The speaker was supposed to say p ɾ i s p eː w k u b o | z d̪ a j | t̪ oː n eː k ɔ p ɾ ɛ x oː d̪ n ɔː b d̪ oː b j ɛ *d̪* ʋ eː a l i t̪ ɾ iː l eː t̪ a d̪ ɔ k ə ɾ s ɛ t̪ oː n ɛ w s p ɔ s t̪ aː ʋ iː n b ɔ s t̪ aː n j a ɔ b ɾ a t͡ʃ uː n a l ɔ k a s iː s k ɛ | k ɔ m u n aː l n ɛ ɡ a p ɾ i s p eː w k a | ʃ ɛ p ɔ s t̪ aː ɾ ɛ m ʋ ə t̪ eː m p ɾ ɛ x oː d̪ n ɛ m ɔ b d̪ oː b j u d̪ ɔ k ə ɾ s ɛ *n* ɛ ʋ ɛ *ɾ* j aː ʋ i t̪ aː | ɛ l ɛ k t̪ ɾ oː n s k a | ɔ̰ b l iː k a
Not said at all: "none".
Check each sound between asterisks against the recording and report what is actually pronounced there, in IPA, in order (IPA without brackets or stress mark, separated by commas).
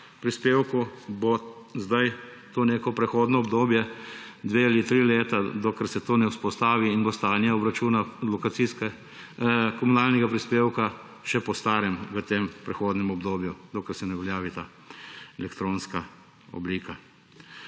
d̪, n, l